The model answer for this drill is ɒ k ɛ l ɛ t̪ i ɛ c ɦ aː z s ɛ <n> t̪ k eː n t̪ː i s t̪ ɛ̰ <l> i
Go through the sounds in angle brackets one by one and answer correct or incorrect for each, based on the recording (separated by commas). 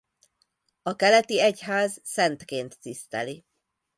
correct, correct